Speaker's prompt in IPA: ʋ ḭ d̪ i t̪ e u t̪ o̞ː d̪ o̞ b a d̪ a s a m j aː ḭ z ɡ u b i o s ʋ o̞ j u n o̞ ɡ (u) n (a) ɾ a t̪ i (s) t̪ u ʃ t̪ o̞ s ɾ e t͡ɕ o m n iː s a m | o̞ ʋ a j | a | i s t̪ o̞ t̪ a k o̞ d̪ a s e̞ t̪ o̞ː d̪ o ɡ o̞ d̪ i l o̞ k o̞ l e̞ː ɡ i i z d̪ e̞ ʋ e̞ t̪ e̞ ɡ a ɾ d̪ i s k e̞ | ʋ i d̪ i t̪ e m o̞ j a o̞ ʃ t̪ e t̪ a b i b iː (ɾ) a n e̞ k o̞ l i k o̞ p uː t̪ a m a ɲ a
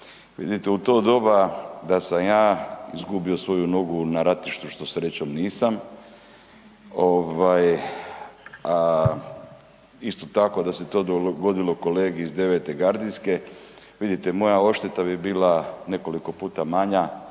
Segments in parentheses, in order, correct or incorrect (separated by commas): correct, correct, incorrect, incorrect